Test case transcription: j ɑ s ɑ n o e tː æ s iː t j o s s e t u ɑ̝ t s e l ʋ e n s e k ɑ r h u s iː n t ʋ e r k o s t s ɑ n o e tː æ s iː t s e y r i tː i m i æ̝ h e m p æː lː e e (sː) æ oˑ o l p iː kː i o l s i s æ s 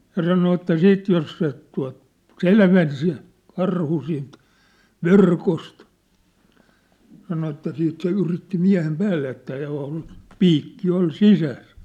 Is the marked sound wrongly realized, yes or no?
yes